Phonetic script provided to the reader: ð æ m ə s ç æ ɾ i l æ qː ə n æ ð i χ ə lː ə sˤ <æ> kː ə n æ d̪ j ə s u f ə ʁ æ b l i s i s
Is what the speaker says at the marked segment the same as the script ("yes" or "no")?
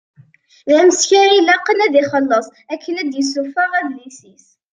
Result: yes